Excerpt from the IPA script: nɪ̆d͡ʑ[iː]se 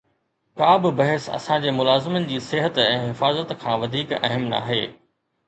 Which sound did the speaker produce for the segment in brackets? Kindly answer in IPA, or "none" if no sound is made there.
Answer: iː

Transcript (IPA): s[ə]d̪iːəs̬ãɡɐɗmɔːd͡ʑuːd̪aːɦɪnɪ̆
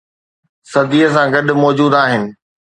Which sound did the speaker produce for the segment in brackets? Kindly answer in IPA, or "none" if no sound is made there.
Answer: ɐ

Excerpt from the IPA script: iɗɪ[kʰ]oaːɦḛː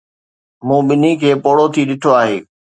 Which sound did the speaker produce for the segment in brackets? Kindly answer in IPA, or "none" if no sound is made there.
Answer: ʈʰ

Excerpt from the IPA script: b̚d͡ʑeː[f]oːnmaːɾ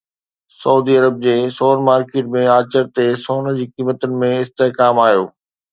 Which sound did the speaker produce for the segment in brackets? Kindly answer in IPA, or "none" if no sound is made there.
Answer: s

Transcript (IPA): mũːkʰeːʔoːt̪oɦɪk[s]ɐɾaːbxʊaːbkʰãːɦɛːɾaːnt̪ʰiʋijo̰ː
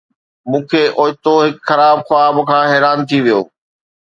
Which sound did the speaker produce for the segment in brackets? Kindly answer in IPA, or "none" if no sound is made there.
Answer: x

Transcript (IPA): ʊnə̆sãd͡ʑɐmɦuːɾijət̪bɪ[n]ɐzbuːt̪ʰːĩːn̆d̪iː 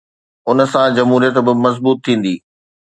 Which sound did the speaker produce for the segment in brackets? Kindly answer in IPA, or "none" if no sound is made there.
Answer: m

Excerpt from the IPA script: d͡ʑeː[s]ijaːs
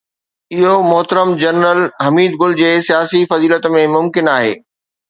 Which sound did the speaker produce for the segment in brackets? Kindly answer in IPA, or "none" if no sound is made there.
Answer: s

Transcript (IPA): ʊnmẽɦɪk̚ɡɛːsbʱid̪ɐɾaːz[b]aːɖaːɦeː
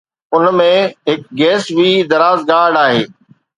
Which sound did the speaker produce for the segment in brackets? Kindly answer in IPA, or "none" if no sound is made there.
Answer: ɡ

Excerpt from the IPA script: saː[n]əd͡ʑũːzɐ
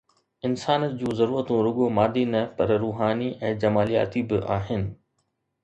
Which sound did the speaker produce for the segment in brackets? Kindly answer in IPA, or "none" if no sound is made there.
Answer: n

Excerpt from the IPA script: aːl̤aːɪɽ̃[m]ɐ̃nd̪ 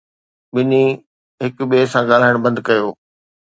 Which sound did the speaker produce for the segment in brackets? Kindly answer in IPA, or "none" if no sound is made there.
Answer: b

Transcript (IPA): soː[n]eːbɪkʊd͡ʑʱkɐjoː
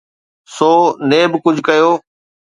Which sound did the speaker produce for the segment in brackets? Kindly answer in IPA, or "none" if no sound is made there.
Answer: n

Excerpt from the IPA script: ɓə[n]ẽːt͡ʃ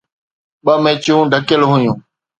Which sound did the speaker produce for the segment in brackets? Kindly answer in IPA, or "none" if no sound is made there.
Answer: m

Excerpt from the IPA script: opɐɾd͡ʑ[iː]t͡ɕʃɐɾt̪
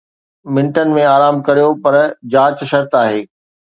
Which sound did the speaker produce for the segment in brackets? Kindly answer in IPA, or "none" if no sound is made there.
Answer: aː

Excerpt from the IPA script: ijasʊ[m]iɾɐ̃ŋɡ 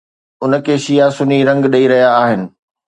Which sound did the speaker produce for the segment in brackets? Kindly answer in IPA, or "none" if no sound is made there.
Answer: n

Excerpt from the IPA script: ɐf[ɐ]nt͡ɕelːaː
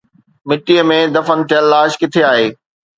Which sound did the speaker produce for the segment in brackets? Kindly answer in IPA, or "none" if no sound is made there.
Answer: ə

